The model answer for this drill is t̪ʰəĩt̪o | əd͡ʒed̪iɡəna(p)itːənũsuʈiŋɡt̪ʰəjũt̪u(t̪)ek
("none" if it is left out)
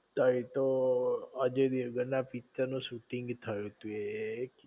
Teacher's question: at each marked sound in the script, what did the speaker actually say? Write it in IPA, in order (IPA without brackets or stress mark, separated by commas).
p, none